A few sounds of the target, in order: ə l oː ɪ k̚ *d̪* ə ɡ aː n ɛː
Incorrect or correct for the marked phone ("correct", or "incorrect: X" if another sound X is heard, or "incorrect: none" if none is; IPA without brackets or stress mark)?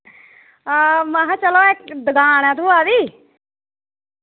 correct